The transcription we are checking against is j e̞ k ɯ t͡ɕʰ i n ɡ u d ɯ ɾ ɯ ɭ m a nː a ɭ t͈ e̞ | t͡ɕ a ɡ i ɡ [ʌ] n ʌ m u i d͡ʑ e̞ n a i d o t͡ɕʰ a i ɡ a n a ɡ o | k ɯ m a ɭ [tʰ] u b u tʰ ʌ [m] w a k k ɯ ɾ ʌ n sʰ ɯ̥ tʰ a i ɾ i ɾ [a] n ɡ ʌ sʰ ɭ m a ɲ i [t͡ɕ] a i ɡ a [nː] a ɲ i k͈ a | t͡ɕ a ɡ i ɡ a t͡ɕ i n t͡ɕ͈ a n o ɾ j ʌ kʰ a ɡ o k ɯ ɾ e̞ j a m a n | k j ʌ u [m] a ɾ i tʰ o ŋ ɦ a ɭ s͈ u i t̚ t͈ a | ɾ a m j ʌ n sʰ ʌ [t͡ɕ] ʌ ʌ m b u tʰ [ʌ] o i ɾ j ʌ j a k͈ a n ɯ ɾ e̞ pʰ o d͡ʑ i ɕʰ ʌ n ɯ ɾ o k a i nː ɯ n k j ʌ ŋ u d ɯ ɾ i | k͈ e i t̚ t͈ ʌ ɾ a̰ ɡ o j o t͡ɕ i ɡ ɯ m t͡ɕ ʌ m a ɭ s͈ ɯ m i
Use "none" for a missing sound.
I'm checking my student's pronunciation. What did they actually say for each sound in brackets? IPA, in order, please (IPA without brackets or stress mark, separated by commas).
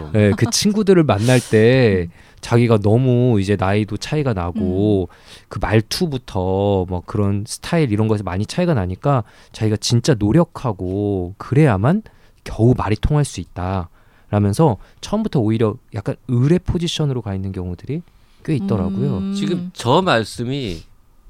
a, tʰ, m, ʌ, t͡ɕʰ, n, m, t͡ɕʰ, ʌ